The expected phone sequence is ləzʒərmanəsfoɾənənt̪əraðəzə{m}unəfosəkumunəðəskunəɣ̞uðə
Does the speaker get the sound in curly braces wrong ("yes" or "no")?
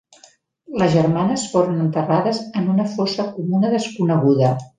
yes